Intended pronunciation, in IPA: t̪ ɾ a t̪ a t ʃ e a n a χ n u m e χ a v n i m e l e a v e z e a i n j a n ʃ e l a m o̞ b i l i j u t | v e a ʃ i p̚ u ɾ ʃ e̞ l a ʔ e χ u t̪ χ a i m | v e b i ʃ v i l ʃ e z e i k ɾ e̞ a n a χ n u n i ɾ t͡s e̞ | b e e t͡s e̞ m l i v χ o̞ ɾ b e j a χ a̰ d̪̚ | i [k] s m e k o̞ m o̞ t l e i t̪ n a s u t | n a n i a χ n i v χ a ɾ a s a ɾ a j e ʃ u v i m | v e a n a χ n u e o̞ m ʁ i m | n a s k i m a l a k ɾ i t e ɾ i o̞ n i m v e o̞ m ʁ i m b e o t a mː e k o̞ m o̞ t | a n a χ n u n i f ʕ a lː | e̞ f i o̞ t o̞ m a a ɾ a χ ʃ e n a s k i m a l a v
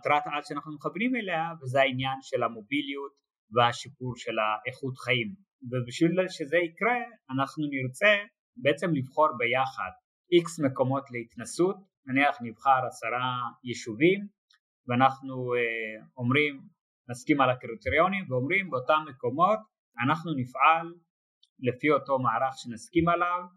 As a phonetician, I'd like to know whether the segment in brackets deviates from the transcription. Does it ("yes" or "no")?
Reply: no